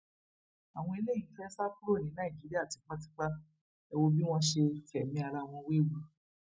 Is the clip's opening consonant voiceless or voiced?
voiced